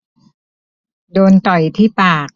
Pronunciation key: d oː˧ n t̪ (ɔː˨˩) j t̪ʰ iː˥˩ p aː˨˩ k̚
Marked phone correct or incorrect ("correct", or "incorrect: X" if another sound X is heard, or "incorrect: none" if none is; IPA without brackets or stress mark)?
incorrect: ɔ˨˩